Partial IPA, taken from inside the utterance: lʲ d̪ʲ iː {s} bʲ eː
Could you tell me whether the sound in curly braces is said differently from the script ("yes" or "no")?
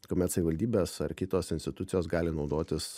yes